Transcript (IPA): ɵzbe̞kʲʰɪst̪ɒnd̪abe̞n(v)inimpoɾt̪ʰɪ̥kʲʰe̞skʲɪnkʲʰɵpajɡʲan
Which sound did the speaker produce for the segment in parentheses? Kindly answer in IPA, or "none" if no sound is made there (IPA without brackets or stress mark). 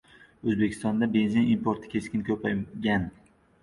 z